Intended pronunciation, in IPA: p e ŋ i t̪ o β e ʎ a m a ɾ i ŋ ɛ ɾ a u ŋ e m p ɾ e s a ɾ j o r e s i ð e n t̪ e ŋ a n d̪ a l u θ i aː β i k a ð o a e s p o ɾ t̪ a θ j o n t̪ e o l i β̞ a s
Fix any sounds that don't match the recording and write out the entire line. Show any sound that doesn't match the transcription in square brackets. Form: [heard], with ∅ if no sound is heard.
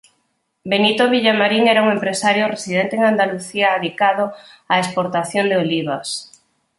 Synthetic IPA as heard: [b] e [n] i t̪ o β [i] ʎ a m a ɾ i ŋ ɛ ɾ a u ŋ e m p ɾ e s a ɾ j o r e s i ð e n t̪ e ŋ a n d̪ a l u θ i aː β i k a ð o a e s p o ɾ t̪ a θ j o n [d̪] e o l i β̞ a s